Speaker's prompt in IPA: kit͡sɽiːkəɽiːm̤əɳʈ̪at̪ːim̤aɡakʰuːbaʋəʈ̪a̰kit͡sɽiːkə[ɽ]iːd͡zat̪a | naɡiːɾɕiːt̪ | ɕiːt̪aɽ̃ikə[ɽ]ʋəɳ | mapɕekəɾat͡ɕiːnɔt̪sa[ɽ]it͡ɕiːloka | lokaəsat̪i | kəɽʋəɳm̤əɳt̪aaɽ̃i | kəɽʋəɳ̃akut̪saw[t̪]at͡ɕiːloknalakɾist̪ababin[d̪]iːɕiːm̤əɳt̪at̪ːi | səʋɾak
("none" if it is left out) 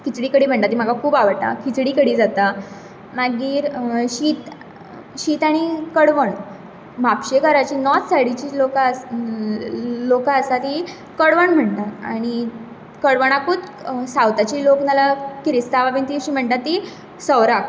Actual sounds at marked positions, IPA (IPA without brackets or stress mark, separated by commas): ɽ, ɽ, ɽ, t̪, t̪